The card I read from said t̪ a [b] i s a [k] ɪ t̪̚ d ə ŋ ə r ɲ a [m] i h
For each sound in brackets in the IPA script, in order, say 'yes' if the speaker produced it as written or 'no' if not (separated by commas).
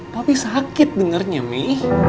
no, yes, yes